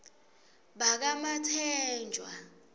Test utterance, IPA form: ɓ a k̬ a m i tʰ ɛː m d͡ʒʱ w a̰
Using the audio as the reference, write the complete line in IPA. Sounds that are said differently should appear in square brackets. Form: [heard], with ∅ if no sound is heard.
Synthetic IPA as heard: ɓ a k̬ a m [a] tʰ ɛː [n] d͡ʒʱ w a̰